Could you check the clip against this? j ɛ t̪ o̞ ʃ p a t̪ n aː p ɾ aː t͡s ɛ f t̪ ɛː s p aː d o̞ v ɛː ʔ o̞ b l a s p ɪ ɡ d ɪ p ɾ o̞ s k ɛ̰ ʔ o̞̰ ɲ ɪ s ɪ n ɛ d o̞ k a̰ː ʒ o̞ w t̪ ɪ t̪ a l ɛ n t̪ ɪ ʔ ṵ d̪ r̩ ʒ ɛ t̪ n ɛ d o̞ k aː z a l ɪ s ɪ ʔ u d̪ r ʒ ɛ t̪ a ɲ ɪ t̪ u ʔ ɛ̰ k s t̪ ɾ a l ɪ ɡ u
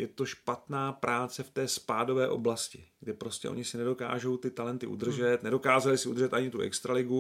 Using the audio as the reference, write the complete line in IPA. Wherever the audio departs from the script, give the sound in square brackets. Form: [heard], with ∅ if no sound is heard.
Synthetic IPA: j ɛ t̪ o̞ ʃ p a t̪ n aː p ɾ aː t͡s ɛ f t̪ ɛː s p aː d o̞ v ɛː ʔ o̞ b l a s [c] ɪ ɡ d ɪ p ɾ o̞ s [c] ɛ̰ ʔ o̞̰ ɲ ɪ s ɪ n ɛ d o̞ k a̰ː ʒ o̞ w t̪ ɪ t̪ a l ɛ n t̪ ɪ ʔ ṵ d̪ r̩ ʒ ɛ t̪ n ɛ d o̞ k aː z a l ɪ s ɪ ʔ u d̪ r ʒ ɛ t̪ a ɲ ɪ t̪ u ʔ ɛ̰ k s t̪ ɾ a l ɪ ɡ u